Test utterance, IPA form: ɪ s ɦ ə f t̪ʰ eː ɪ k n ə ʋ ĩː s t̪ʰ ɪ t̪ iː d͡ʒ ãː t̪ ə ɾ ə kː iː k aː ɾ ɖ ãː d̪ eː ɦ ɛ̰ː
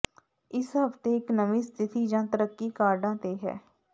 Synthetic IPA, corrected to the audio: ɪ s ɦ ə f t̪ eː ɪ k n ə ʋ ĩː s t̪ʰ ɪ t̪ iː d͡ʒ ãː t̪ ə ɾ ə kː iː k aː ɾ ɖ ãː t̪ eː ɦ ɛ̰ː